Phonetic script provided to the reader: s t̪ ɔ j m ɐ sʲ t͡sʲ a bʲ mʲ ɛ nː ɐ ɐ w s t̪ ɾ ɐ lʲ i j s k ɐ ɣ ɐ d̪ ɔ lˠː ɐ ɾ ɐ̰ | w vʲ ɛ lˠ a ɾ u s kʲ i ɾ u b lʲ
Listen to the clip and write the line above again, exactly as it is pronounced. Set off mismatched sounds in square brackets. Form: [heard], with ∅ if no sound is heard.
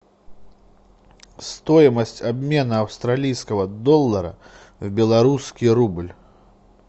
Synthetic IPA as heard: s t̪ ɔ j m ɐ sʲ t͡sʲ a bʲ mʲ ɛ [n] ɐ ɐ w s t̪ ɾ [a] lʲ i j s k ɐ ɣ ɐ d̪ ɔ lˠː ɐ ɾ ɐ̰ | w [bʲ] ɛ lˠ a ɾ u s kʲ i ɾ u b lʲ